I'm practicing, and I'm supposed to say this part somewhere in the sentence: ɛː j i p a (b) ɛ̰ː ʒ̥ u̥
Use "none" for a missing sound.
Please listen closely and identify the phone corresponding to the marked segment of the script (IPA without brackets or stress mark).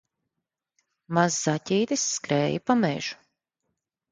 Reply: m